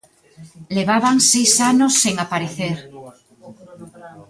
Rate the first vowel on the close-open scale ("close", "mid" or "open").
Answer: mid